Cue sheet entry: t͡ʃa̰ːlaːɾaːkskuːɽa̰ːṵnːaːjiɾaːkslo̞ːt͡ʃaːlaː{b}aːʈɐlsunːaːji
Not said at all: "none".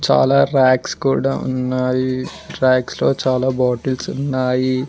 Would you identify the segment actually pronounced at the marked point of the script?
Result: b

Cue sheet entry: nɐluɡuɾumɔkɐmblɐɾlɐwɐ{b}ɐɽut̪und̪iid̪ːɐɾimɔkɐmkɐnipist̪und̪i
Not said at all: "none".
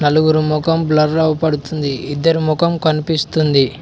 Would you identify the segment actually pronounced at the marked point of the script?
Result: p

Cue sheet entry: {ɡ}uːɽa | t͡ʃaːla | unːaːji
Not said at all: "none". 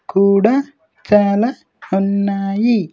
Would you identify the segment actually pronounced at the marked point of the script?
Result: k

